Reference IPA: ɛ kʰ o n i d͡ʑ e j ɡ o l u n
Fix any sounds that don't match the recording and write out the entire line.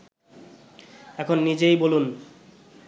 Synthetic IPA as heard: ɛ kʰ o nː i d͡ʑ e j b o l u n